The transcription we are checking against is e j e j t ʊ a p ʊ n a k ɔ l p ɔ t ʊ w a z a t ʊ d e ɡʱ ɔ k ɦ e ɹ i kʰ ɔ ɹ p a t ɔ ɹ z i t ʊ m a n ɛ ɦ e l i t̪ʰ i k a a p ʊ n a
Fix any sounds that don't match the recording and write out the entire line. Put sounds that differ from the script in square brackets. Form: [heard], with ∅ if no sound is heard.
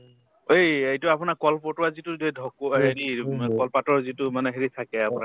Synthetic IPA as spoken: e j e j t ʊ a p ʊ n a k ɔ l p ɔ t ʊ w a z [i] t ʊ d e [dʱ] ɔ k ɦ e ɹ i [k] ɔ [l] p a t ɔ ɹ z i t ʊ m a n ɛ ɦ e [ɹ] i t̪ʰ [a] k [ɛ] a p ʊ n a